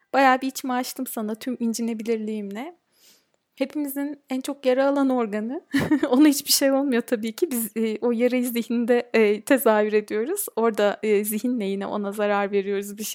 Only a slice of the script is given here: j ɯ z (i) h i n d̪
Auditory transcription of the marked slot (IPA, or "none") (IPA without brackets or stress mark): i